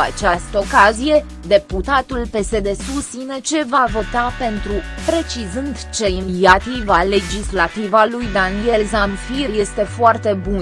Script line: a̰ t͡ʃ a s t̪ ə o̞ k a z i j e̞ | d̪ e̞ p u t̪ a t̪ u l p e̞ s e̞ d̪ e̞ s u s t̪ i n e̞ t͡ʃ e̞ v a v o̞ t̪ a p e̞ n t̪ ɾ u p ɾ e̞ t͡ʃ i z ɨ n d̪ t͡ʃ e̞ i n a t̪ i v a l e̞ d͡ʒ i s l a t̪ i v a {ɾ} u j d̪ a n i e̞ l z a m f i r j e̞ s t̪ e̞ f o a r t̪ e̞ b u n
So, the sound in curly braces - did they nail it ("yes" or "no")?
no